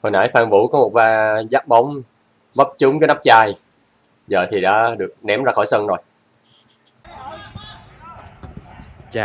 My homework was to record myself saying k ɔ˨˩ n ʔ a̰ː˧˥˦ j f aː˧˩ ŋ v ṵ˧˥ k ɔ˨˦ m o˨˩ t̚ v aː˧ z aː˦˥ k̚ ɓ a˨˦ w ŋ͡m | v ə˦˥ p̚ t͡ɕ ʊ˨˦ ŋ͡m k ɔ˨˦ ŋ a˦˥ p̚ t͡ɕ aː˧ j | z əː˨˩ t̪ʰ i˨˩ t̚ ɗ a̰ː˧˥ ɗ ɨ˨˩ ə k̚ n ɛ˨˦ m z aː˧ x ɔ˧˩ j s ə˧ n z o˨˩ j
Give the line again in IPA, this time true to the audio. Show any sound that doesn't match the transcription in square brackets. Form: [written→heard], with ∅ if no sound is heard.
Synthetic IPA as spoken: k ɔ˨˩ n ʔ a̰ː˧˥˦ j f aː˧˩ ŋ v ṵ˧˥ k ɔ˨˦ m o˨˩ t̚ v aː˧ z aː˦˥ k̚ ɓ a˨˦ w ŋ͡m | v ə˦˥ p̚ t͡ɕ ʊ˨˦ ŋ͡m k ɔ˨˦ [ŋ→n] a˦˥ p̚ t͡ɕ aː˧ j | z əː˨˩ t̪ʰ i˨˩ [t̚→∅] ɗ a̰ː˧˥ ɗ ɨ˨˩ ə k̚ n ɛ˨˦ m z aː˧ x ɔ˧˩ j s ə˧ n z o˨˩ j